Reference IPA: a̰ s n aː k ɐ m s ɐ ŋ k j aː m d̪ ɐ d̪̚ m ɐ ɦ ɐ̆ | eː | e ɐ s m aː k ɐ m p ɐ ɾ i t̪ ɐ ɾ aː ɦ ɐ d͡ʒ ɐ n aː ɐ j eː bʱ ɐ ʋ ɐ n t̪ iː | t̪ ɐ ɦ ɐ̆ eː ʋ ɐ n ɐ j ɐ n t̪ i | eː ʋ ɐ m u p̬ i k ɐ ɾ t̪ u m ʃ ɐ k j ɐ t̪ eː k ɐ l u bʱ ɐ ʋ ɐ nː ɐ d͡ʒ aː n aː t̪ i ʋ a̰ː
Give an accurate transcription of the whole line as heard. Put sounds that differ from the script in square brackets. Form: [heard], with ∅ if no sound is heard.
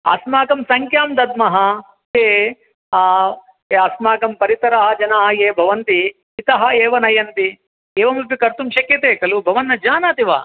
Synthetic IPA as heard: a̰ s [m] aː k ɐ m s ɐ ŋ k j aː m d̪ ɐ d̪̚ m ɐ ɦ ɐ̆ | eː | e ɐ s m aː k ɐ m p ɐ ɾ i t̪ ɐ ɾ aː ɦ ɐ d͡ʒ ɐ n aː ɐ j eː bʱ ɐ ʋ ɐ n t̪ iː | t̪ ɐ ɦ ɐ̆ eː ʋ ɐ n ɐ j ɐ n t̪ i | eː ʋ ɐ m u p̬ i k ɐ ɾ t̪ u m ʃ ɐ k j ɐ t̪ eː k ɐ l u bʱ ɐ ʋ ɐ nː ɐ d͡ʒ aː n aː t̪ i ʋ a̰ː